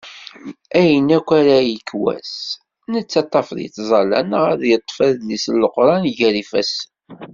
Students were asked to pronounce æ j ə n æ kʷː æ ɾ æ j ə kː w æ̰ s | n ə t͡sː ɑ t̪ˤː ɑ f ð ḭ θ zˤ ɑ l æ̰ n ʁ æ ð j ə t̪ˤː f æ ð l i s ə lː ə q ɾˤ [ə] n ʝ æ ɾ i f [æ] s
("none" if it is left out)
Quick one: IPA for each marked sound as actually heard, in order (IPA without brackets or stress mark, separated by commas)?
ɑ, æ